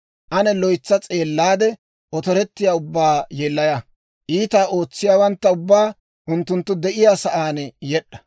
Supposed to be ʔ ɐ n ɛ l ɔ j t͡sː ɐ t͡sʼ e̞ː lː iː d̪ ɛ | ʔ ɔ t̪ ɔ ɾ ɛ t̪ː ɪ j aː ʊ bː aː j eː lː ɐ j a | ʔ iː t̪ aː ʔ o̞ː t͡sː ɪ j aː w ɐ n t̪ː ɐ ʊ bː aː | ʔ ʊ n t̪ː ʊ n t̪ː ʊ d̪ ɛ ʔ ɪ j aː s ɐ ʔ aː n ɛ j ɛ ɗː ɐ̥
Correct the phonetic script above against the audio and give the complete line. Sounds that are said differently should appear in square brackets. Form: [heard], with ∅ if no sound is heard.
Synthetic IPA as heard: ʔ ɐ n ɛ l ɔ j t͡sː ɐ t͡sʼ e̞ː lː [aː] d̪ ɛ | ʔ ɔ t̪ ɔ ɾ ɛ t̪ː ɪ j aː ʊ bː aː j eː lː ɐ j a | ʔ iː t̪ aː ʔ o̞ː t͡sː ɪ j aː w ɐ n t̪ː ɐ ʊ bː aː | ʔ ʊ n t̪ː ʊ n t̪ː ʊ d̪ ɛ ʔ ɪ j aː s ɐ ʔ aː n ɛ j ɛ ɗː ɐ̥